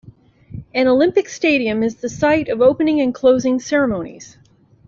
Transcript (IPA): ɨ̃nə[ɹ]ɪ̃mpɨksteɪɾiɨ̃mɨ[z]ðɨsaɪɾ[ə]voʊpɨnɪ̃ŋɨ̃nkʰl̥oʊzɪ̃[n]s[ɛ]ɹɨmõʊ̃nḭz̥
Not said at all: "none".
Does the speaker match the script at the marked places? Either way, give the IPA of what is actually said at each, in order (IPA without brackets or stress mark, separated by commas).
l, z, ʌ, ŋ, ɛ